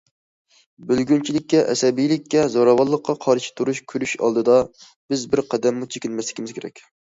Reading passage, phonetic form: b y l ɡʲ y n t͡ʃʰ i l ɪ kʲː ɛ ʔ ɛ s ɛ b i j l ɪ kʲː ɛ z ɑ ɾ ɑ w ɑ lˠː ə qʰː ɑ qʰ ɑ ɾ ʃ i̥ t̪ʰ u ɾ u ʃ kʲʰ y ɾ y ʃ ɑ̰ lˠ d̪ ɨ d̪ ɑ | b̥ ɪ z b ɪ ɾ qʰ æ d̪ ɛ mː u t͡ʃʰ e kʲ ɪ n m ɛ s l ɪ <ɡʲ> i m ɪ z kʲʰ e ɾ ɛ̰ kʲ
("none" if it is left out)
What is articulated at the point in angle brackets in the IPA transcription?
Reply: kʲ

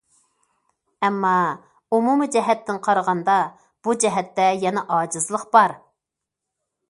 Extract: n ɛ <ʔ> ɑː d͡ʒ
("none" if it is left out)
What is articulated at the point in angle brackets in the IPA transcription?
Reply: ʔ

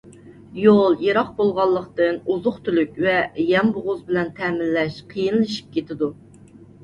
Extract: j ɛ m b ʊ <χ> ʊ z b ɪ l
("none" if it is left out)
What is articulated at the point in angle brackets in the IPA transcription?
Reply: ʁ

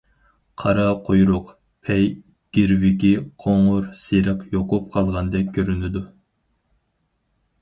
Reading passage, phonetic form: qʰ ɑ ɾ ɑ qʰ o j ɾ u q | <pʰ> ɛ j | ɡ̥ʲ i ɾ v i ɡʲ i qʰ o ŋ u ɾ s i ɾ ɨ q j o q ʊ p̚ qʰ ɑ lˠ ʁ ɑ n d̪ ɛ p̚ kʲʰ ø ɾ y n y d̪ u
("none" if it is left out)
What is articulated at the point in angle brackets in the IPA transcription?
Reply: pʰ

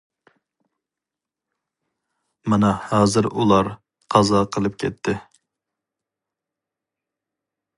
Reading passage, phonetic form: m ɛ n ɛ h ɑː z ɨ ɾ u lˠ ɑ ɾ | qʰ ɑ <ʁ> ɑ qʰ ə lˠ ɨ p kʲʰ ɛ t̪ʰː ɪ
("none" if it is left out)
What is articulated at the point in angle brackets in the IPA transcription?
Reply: z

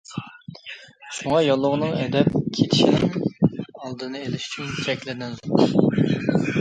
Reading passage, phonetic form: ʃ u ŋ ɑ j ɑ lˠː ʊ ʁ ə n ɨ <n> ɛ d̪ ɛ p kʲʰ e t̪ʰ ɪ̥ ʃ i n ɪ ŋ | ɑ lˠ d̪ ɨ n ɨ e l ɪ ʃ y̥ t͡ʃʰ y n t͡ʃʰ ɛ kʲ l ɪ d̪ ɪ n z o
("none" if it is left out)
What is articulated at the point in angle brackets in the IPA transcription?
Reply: ŋ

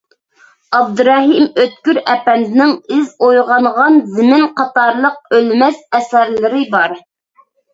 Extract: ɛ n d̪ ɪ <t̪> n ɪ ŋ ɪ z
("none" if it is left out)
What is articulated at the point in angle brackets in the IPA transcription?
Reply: none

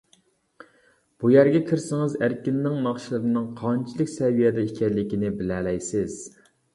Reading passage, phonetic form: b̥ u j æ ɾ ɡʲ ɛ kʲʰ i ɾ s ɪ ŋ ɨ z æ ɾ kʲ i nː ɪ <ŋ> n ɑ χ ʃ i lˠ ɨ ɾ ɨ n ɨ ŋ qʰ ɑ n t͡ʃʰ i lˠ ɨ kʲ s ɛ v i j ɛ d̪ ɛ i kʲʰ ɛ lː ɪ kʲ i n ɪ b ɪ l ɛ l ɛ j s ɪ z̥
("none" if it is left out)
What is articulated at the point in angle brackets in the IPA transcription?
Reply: ŋ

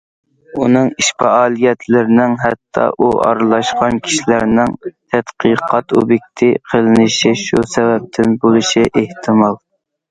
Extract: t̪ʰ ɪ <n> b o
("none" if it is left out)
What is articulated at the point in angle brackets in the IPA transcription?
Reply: n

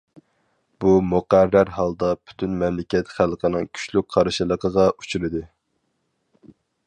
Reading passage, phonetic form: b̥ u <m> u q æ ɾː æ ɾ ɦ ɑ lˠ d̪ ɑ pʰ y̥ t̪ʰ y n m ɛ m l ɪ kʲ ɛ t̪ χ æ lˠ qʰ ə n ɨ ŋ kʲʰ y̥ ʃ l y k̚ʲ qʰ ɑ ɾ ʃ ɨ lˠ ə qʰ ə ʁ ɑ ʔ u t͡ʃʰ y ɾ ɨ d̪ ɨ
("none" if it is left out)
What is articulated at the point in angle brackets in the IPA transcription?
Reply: m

